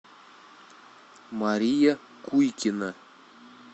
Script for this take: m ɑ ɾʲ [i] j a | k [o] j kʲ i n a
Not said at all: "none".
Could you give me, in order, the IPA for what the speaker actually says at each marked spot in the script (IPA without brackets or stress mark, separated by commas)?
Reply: i, u